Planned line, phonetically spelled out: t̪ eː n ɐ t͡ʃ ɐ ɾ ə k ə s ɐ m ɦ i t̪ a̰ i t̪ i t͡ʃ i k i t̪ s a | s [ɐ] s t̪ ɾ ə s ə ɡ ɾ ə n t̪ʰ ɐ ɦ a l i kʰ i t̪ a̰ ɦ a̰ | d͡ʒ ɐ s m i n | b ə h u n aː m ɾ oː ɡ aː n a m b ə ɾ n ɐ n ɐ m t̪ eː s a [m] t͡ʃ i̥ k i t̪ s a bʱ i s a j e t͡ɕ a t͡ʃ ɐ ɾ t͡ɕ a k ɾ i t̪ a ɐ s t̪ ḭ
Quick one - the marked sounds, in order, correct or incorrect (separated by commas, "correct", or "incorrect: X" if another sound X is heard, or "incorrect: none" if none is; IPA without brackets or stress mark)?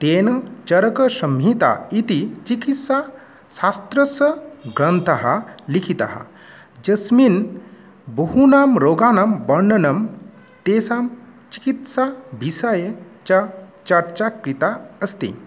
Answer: incorrect: a, correct